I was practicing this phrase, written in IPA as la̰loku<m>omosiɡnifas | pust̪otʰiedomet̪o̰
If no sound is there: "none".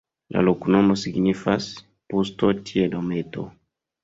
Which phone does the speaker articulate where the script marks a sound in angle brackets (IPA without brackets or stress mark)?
n